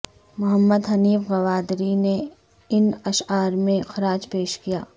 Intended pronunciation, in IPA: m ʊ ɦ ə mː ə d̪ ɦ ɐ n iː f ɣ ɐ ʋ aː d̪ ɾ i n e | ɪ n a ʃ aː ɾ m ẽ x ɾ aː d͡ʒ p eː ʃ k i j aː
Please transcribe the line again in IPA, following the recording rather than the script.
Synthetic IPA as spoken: m ʊ ɦ ə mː ə d̪ ɦ ɐ n iː f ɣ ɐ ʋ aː d̪ ɾ i n e | ɪ n ɐ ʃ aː ɾ m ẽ x ɾ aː d͡ʒ p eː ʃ k i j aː